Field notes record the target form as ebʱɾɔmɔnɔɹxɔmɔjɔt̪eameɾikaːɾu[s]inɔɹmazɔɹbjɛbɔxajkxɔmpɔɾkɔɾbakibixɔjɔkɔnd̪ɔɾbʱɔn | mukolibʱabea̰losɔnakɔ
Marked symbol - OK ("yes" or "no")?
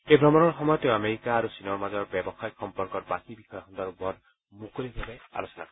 yes